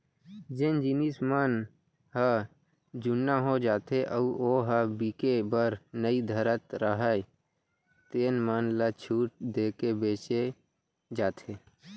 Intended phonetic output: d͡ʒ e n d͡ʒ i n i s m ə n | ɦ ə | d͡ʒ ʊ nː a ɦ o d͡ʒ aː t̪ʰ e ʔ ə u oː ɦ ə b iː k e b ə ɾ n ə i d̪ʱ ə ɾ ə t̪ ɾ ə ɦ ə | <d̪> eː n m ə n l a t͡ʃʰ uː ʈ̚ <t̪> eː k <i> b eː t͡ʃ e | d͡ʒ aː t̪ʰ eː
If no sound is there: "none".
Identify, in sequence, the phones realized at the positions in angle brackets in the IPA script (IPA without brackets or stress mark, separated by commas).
t̪, d̪, e